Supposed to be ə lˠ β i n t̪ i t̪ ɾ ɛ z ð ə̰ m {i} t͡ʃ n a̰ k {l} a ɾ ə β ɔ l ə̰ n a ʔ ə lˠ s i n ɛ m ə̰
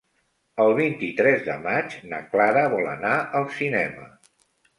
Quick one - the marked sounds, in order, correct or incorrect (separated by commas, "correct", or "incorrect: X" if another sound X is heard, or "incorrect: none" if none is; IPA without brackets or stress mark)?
incorrect: a, correct